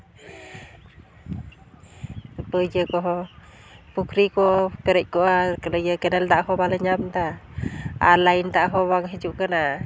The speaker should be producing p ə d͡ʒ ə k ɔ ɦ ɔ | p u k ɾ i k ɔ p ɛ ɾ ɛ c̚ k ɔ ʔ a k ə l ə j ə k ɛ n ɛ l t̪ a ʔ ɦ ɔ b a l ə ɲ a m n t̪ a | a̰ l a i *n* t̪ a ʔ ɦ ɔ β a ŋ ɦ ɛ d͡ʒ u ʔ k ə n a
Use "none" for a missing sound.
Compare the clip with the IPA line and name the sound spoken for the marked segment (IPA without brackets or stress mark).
n